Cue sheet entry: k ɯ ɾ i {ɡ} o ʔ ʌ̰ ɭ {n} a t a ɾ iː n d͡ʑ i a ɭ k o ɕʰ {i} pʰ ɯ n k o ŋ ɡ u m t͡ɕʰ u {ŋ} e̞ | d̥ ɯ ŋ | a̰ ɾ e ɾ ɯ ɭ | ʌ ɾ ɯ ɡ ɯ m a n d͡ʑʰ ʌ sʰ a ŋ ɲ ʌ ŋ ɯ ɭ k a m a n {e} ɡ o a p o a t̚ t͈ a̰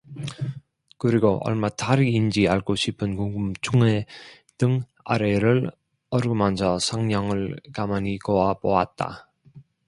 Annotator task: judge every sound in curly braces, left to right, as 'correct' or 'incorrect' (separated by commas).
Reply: correct, incorrect, correct, correct, incorrect